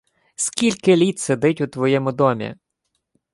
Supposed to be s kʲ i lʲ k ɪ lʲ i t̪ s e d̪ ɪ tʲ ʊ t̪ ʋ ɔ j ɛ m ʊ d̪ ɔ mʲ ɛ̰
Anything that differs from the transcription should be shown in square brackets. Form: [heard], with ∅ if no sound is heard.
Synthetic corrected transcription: s kʲ i lʲ k ɪ lʲ i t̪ s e d̪ ɪ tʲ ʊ t̪ ʋ ɔ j ɛ m ʊ d̪ ɔ mʲ [ḭ]